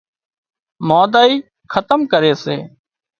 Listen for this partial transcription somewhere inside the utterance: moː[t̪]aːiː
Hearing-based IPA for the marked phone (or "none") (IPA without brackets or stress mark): d̪